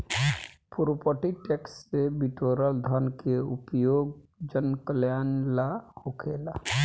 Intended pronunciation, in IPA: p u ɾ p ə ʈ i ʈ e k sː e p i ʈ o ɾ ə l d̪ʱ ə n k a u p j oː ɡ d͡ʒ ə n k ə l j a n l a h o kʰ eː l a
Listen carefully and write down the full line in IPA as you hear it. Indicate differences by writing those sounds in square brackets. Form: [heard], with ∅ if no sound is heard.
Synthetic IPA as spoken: p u ɾ p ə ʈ i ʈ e k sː e [b] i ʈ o ɾ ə l d̪ʱ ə n k [e] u p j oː ɡ d͡ʒ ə n k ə l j a n l a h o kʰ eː l a